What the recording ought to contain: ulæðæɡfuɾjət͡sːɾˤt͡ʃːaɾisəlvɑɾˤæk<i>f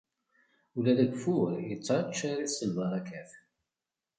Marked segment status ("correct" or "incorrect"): incorrect